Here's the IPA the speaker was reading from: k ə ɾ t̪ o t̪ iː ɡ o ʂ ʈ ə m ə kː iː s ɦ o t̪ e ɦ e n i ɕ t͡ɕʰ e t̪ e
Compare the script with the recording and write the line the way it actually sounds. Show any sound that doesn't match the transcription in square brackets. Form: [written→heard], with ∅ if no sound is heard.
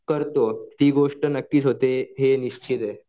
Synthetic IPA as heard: k ə ɾ t̪ o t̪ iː ɡ o ʂ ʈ ə [m→n] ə kː iː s ɦ o t̪ e ɦ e n i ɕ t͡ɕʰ [e→i] t̪ e